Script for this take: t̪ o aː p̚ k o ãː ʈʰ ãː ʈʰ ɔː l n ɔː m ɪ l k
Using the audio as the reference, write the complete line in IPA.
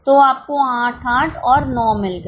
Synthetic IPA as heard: t̪ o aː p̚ k o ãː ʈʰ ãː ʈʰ ɔː ɾ n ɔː m ɪ l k